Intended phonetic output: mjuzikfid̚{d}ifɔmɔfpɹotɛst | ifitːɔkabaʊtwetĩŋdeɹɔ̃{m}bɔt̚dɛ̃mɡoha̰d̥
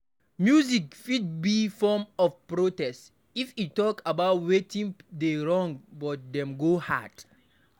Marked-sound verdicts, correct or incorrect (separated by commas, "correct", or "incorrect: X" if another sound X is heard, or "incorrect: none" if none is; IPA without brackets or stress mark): incorrect: b, incorrect: ŋ